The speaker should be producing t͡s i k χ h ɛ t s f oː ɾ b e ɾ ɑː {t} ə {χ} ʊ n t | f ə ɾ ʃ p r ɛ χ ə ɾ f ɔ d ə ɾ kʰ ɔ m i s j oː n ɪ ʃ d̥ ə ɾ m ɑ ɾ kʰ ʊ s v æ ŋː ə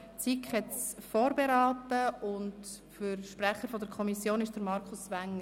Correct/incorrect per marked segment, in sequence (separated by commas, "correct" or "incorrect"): correct, incorrect